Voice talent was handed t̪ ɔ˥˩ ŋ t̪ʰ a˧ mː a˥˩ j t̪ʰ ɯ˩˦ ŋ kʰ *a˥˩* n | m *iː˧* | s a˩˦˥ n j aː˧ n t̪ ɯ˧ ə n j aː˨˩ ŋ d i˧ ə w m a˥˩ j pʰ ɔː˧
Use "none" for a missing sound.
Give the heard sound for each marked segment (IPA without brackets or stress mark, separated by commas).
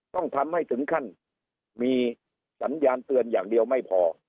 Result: a˥˩, iː˧